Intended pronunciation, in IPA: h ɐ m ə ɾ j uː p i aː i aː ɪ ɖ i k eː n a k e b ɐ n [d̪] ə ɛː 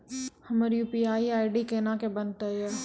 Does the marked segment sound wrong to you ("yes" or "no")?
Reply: yes